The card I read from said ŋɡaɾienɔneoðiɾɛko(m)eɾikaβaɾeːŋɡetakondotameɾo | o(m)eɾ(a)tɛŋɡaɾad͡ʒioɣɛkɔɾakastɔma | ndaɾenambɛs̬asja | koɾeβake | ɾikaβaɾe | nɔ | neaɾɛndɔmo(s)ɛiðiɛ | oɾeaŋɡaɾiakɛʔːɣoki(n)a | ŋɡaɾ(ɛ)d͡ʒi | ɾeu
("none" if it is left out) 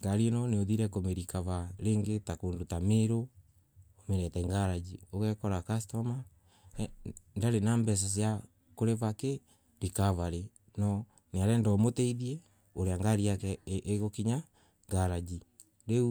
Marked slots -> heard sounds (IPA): m, m, ɛ, t, ɲ, a

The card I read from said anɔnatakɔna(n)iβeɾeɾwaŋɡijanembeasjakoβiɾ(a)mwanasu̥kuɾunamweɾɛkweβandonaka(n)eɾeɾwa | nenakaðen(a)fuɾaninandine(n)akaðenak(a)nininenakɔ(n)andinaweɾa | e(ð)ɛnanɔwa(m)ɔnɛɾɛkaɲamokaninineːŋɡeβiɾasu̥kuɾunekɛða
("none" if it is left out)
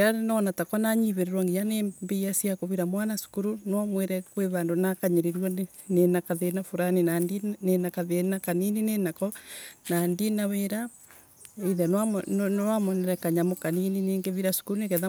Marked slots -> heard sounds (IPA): ɲ, a, ɲ, a, n, a, n, ð, m

